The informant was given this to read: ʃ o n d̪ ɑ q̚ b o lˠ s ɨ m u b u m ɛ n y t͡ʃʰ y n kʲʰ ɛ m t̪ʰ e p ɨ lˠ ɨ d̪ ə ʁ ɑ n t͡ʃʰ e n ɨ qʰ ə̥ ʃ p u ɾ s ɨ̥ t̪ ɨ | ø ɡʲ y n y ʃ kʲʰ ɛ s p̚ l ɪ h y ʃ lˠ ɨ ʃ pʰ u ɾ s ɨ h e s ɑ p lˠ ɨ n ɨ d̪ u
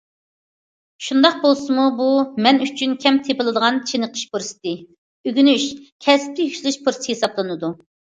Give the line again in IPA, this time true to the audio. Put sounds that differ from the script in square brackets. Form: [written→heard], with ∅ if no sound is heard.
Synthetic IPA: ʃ [o→u] n d̪ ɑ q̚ b o lˠ s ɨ m u b u m ɛ n y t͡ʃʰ y n kʲʰ ɛ m t̪ʰ e p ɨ lˠ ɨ d̪ ə ʁ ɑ n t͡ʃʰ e n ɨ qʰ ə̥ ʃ p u ɾ s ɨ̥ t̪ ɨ | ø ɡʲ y n y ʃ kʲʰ ɛ s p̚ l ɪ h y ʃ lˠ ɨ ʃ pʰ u ɾ s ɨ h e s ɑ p lˠ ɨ n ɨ d̪ u

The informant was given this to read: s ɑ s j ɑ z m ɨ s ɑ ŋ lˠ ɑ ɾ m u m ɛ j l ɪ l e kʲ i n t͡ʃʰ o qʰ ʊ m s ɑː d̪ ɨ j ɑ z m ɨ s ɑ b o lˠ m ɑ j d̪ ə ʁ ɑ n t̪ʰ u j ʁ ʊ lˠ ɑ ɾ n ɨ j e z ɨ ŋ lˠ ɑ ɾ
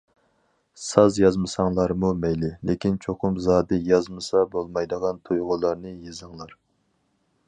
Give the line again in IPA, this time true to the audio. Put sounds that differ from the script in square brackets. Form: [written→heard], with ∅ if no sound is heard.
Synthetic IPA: s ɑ [s→z] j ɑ z m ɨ s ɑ ŋ lˠ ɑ ɾ m u m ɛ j l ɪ l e kʲ i n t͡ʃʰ o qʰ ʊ m [s→z] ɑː d̪ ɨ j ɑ z m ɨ s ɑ b o lˠ m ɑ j d̪ ə ʁ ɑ n t̪ʰ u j ʁ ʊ lˠ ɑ ɾ n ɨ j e z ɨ ŋ lˠ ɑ ɾ

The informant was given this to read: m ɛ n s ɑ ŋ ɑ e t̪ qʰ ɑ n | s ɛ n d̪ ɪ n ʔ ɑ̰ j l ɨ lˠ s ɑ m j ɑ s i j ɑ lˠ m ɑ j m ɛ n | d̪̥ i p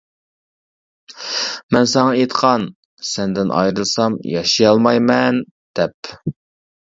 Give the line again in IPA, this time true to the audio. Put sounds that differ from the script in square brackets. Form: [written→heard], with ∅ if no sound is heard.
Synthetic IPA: m ɛ n s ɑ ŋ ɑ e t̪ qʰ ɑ n | s ɛ n d̪ ɪ n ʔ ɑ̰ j [l→ɾ] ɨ lˠ s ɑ m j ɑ [s→ʃ] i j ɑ lˠ m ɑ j m ɛ n | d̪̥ [i→ɛ] p

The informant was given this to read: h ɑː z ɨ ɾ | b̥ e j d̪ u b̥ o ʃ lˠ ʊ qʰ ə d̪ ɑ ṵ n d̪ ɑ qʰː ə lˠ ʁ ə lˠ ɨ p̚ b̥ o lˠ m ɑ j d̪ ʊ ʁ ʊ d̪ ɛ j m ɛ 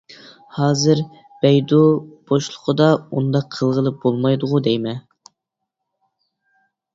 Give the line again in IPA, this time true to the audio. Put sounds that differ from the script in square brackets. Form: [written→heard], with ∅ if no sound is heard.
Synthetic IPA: h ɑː z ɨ ɾ | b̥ [e→ɛ] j d̪ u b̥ o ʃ lˠ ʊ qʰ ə d̪ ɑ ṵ n d̪ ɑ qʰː ə lˠ ʁ ə lˠ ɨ p̚ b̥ o lˠ m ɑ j d̪ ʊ ʁ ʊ d̪ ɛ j m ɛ

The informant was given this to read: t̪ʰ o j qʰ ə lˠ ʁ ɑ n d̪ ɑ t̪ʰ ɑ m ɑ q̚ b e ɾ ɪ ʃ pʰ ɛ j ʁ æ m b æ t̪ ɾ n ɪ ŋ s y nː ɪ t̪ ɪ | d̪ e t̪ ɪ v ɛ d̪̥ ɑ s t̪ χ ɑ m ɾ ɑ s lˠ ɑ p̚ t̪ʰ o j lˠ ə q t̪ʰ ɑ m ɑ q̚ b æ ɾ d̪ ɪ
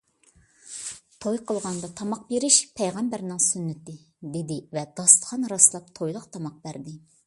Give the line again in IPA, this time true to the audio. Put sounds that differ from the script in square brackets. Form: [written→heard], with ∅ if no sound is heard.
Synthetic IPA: t̪ʰ o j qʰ ə lˠ ʁ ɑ n d̪ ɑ t̪ʰ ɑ m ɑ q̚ b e ɾ ɪ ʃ pʰ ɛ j ʁ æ m b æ [t̪→∅] ɾ n ɪ ŋ s y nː ɪ t̪ ɪ | d̪ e [t̪→d̪] ɪ v ɛ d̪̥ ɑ s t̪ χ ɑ [m→n] ɾ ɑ s lˠ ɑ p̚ t̪ʰ o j lˠ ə q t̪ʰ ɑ m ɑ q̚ b æ ɾ d̪ ɪ

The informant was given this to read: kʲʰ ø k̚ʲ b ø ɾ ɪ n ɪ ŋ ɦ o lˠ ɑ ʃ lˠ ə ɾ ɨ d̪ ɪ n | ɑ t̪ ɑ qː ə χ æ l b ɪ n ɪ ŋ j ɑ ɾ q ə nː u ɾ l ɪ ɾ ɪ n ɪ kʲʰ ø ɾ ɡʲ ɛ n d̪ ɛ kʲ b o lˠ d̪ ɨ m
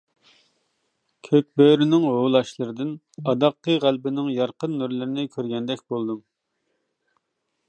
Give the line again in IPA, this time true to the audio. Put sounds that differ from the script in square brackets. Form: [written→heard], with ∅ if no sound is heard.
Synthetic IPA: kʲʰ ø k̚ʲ b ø ɾ ɪ n ɪ ŋ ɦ o lˠ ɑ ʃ lˠ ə ɾ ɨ d̪ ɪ n | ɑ [t̪→d̪] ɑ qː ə [χ→ʁ] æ l b ɪ n ɪ ŋ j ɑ ɾ q ə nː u ɾ l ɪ ɾ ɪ n ɪ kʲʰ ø ɾ ɡʲ ɛ n d̪ ɛ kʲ b o lˠ d̪ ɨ m

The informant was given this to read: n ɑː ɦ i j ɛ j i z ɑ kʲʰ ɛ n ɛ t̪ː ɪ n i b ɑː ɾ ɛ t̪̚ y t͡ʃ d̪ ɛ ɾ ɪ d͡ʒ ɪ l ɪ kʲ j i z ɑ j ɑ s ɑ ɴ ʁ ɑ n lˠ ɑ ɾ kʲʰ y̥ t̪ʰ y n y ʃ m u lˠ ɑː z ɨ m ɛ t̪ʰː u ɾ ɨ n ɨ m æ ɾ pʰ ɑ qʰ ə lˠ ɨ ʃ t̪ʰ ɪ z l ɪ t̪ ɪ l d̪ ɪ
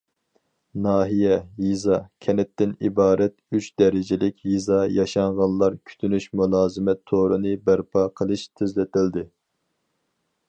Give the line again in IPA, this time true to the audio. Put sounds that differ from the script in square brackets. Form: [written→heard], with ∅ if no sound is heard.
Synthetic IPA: n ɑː ɦ i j ɛ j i z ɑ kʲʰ ɛ n ɛ t̪ː ɪ n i b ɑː ɾ ɛ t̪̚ y t͡ʃ d̪ ɛ ɾ ɪ d͡ʒ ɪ l ɪ kʲ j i z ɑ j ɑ [s→ʃ] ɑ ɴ ʁ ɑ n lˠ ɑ ɾ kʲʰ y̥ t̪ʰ y n y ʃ m u lˠ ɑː z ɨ m ɛ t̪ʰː [u→o] ɾ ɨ n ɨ [m→b] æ ɾ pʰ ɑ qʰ ə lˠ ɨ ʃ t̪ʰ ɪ z l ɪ t̪ ɪ l d̪ ɪ

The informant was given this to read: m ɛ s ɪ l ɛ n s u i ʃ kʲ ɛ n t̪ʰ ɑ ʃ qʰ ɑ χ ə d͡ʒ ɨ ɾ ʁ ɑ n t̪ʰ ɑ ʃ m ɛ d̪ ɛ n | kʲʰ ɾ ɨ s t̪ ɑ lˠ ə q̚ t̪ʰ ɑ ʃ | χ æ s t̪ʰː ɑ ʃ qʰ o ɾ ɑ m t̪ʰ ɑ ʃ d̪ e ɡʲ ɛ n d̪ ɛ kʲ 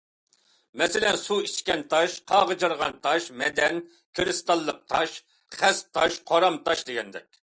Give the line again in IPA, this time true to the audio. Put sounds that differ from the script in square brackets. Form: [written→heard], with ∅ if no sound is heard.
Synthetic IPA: m ɛ s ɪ l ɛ n s u i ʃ kʲ ɛ n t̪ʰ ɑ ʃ qʰ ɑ [χ→ʁ] ə d͡ʒ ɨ ɾ ʁ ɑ n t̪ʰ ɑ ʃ m ɛ d̪ ɛ n | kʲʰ ɾ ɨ s t̪ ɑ [lˠ→lˠː] ə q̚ t̪ʰ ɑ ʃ | χ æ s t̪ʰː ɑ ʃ qʰ o ɾ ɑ m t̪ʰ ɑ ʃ d̪ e ɡʲ ɛ n d̪ ɛ kʲ

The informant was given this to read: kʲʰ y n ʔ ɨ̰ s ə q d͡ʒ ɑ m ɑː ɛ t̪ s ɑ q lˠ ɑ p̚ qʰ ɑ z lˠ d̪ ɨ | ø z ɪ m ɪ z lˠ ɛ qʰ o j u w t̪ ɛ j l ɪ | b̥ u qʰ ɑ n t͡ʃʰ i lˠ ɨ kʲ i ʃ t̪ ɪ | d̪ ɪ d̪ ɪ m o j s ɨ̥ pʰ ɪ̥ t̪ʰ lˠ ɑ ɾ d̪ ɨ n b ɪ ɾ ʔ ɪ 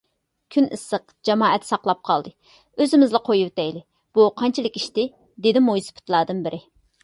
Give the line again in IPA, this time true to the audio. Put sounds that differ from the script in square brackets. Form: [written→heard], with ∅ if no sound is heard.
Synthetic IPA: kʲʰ y n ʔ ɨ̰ s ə q d͡ʒ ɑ m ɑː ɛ t̪ s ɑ q lˠ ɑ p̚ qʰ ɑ [z→∅] lˠ d̪ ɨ | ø z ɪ m ɪ z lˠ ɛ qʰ o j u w t̪ ɛ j l ɪ | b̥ u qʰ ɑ n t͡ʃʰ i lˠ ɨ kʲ i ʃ t̪ ɪ | d̪ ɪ d̪ ɪ m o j s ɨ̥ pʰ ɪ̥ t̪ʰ lˠ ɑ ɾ d̪ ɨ n b ɪ ɾ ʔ ɪ

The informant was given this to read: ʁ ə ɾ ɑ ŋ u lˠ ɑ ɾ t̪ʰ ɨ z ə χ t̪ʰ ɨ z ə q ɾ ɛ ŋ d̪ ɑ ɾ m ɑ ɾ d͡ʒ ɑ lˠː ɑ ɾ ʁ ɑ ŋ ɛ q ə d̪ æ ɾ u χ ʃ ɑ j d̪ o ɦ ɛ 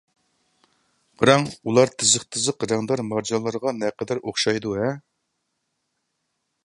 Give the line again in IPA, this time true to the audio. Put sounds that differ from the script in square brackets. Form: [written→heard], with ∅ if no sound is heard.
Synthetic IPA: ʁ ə ɾ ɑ ŋ u lˠ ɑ ɾ t̪ʰ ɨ z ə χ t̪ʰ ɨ z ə q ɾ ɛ ŋ d̪ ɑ ɾ m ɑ ɾ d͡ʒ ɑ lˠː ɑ ɾ ʁ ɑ [ŋ→n] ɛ q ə d̪ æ ɾ [u→o] χ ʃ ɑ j d̪ [o→u] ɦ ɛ

